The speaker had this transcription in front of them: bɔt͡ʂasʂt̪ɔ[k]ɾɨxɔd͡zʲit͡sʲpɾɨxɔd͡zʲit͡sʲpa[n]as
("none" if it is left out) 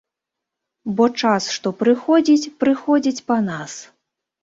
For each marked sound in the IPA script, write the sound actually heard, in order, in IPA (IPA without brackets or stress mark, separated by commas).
p, n